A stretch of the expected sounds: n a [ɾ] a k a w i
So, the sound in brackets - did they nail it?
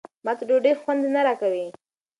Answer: yes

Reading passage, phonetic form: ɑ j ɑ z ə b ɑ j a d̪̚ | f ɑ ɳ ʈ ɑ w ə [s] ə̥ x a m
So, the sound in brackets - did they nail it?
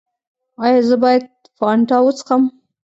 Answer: no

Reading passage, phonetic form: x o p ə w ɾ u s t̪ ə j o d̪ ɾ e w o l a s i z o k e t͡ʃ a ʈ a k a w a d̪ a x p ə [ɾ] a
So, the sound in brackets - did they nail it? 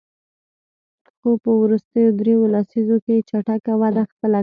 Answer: no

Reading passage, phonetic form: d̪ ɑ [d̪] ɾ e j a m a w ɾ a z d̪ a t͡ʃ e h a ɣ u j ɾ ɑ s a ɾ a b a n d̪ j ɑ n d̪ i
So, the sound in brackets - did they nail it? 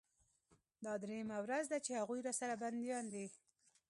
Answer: yes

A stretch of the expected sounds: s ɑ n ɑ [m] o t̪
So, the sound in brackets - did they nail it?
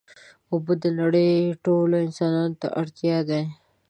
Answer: no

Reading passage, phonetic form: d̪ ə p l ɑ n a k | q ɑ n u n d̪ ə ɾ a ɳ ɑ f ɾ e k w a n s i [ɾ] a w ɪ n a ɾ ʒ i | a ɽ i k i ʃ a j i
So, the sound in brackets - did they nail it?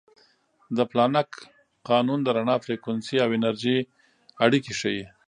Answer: no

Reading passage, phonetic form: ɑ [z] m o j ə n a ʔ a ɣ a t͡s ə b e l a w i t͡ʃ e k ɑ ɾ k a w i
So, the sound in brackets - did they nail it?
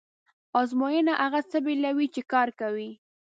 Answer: yes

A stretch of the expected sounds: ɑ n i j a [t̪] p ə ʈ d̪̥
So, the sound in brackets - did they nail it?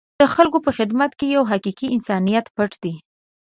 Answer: yes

